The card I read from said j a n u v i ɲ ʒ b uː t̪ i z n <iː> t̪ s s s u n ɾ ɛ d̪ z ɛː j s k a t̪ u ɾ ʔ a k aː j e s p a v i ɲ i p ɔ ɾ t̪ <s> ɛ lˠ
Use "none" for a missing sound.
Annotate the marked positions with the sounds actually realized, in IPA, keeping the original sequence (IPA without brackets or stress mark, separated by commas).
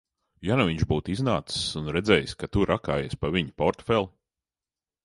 aː, f